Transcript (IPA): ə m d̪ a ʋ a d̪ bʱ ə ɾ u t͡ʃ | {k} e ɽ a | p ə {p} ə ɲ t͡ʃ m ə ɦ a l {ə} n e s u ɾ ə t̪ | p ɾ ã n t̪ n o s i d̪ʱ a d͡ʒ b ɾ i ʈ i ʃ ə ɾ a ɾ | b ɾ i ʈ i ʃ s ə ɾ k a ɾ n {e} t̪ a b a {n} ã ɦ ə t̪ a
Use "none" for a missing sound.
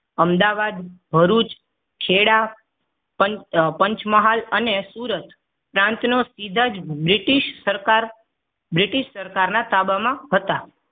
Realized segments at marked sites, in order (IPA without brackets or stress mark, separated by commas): kʰ, p, ə, a, m